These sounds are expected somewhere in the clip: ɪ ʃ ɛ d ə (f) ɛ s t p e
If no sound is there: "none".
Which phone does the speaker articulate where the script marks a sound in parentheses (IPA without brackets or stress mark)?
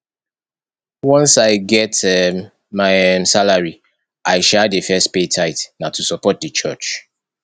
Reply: f